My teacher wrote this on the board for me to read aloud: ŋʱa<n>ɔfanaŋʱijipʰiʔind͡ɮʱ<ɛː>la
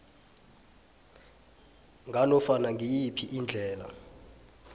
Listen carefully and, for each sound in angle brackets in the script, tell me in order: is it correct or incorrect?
correct, correct

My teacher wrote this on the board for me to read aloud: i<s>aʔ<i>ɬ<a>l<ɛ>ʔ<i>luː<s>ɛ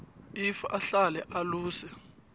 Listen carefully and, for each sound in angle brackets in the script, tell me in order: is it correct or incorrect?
incorrect, incorrect, correct, correct, incorrect, correct

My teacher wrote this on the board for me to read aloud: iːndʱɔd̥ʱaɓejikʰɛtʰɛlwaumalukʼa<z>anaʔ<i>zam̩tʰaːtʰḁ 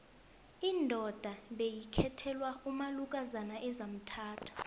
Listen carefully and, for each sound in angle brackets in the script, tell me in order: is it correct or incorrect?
correct, incorrect

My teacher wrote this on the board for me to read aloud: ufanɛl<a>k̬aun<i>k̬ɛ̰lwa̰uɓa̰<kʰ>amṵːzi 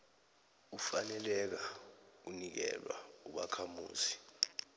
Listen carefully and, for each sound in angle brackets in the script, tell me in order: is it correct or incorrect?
incorrect, correct, correct

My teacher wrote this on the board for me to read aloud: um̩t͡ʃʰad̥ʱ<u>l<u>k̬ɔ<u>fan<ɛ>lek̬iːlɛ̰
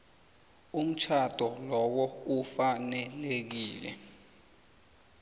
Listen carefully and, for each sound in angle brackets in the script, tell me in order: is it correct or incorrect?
incorrect, incorrect, correct, correct

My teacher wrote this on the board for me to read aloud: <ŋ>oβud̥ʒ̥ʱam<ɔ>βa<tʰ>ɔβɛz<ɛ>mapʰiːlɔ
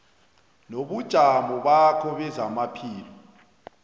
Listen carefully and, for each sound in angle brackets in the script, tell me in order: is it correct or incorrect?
incorrect, correct, incorrect, incorrect

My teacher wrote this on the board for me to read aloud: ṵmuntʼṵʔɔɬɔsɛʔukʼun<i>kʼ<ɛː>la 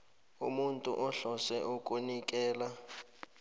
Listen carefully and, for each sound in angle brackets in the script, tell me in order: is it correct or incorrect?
correct, correct

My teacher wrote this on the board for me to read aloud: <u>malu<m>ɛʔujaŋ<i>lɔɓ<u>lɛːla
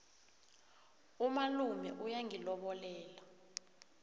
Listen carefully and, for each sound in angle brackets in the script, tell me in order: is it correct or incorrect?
correct, correct, correct, incorrect

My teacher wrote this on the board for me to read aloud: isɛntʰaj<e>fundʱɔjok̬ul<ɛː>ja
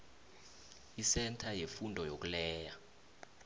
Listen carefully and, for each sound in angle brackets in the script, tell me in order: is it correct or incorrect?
correct, correct

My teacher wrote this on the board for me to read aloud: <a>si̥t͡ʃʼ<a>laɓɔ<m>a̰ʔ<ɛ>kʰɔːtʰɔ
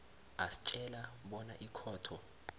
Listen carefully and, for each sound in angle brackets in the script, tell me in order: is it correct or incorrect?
correct, incorrect, incorrect, incorrect

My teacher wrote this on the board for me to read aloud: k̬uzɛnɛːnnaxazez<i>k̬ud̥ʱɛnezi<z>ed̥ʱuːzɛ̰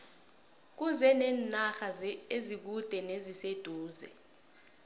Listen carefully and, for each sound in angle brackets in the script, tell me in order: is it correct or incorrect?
correct, incorrect

